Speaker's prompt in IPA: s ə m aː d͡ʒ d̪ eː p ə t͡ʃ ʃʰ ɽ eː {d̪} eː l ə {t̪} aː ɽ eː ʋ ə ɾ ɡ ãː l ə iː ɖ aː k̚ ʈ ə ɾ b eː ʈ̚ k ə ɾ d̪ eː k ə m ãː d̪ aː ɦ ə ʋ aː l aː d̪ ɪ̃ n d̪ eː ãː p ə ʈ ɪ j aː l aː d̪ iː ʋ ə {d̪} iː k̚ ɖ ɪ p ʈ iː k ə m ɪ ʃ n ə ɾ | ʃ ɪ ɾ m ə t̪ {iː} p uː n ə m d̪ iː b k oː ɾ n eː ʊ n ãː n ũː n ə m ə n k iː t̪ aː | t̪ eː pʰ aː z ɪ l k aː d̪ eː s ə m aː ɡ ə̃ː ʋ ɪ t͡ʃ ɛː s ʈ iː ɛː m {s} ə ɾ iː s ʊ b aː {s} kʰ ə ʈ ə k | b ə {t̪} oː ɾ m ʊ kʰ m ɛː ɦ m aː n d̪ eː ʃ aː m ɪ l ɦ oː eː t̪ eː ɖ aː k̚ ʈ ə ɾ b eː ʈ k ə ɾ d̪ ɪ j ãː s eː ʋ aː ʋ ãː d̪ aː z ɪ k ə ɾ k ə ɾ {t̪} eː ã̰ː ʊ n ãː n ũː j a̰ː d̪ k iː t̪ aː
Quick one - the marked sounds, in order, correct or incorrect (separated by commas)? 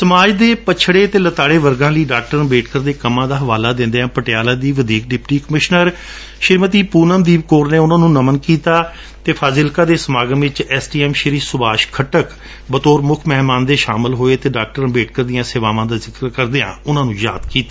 incorrect, correct, correct, correct, incorrect, incorrect, correct, incorrect